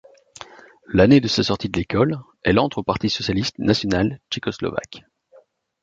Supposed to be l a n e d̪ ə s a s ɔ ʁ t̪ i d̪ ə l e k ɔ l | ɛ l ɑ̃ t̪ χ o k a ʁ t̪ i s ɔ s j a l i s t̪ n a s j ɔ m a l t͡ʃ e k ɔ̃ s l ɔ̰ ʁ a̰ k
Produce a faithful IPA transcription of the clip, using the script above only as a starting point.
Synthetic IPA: l a n e d̪ ə s a s ɔ ʁ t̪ i d̪ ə l e k ɔ l | ɛ l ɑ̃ t̪ χ o p a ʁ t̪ i s ɔ s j a l i s t̪ n a s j ɔ n a l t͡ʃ e k ɔ s l ɔ̰ v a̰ k